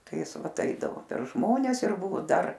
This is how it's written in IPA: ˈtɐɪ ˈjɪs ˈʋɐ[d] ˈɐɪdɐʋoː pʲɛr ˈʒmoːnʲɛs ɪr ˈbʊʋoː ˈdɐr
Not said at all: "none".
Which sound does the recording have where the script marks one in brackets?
t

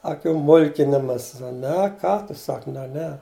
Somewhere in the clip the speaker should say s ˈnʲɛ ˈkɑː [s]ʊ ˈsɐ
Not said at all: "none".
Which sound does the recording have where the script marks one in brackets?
t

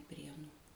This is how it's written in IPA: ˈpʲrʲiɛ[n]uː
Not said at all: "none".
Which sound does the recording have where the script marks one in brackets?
n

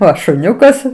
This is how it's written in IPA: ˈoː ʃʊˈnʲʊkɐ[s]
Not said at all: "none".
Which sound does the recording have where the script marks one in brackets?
s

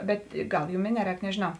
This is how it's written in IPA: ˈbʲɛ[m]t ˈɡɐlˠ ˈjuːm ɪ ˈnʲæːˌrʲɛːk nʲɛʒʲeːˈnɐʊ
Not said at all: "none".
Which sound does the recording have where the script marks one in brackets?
none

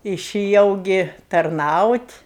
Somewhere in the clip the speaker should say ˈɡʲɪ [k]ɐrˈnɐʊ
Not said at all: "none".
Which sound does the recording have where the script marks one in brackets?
t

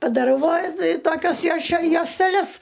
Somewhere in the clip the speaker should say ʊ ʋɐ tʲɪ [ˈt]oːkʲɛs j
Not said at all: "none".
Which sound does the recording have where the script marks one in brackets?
t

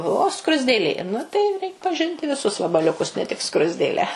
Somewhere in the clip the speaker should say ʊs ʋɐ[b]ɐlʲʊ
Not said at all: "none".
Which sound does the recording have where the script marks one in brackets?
b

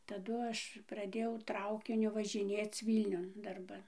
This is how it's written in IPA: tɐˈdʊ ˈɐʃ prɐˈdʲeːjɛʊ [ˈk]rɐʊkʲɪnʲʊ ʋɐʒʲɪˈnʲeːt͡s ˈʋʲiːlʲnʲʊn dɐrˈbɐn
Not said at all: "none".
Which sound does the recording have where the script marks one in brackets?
t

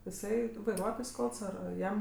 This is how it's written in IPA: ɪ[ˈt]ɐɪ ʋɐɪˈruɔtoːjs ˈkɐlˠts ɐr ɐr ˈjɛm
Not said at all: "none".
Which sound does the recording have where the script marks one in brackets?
s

